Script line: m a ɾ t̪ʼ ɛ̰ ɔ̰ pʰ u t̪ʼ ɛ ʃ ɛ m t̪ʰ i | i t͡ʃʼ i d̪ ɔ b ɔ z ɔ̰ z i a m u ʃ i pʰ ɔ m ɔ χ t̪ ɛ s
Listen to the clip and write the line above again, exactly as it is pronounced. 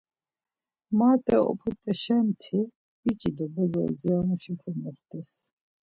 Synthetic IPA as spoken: m a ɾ t̪ʼ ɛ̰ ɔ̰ pʰ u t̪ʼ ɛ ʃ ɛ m t̪ʰ i | i t͡ʃʼ i d̪ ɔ b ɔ z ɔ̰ z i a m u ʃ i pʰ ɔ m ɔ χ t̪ ɛ s